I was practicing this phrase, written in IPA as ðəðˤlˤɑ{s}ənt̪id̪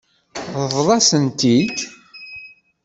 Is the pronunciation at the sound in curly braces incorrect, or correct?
correct